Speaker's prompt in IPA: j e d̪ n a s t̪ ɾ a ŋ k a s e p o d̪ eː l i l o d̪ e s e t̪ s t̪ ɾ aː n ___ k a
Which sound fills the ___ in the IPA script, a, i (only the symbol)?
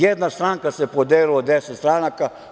a